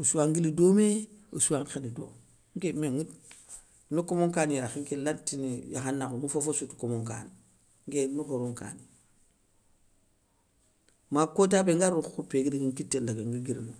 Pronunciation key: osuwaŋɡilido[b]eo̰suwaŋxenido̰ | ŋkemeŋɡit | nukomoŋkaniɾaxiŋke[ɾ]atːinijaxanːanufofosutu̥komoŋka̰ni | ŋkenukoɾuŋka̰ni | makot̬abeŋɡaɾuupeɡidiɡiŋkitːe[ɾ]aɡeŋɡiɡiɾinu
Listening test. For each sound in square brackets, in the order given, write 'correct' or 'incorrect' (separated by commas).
incorrect, incorrect, incorrect